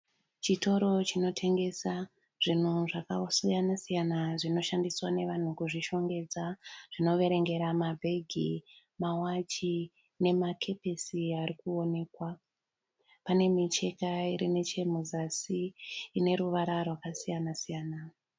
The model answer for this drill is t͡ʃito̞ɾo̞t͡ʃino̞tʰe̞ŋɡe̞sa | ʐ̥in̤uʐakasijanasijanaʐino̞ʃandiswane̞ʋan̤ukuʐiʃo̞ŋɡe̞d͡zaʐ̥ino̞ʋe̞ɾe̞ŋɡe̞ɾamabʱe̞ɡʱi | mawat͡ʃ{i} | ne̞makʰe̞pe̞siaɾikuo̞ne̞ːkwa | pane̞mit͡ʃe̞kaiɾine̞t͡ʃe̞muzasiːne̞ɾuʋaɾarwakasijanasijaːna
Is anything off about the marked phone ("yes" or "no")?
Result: no